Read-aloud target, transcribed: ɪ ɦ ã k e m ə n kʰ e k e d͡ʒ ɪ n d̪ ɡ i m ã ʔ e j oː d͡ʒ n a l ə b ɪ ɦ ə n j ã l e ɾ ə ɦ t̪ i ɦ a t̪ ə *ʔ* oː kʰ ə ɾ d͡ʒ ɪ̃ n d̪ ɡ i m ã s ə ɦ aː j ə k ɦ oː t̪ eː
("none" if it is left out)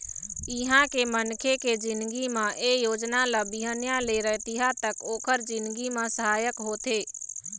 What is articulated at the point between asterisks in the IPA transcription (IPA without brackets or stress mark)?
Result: k